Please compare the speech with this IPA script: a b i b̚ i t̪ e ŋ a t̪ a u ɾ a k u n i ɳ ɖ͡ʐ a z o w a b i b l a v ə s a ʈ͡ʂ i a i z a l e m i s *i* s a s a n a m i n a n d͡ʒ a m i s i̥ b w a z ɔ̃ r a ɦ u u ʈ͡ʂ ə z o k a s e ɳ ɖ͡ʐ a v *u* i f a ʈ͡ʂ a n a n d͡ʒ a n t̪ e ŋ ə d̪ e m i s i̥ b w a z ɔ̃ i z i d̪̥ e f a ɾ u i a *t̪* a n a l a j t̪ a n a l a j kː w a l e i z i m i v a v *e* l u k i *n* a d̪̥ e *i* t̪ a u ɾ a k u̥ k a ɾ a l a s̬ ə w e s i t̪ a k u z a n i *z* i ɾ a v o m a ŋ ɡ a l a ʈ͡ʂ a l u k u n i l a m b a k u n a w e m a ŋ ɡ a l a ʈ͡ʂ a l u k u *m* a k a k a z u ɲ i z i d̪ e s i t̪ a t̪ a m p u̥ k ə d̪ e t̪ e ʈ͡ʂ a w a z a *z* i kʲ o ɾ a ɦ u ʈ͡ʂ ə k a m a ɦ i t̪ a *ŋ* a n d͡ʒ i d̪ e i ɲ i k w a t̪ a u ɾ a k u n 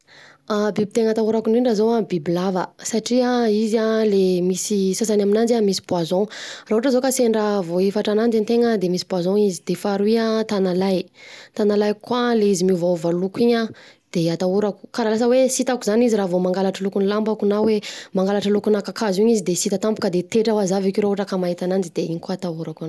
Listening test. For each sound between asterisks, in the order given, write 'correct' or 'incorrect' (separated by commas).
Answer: correct, incorrect, correct, incorrect, incorrect, incorrect, correct, incorrect, incorrect, incorrect